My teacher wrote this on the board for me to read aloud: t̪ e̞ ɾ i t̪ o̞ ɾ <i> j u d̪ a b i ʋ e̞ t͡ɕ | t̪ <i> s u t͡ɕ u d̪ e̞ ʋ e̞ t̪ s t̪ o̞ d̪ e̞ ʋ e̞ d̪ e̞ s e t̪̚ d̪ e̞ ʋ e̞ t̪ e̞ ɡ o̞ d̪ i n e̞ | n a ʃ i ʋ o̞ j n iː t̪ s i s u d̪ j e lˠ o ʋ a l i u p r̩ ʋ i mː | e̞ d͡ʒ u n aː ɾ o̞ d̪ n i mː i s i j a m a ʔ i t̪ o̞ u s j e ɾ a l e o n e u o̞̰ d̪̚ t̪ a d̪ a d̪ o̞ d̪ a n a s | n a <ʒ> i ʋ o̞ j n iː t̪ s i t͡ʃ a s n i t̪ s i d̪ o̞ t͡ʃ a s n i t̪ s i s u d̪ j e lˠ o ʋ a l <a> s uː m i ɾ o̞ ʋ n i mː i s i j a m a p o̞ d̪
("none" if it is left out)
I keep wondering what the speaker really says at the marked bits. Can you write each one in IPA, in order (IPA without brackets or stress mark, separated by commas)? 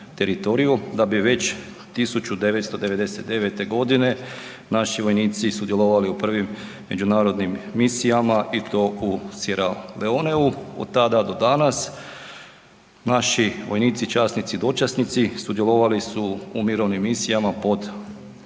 i, i, ʃ, i